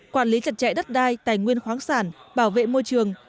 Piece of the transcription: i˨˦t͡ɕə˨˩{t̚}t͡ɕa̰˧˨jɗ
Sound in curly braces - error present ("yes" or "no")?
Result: no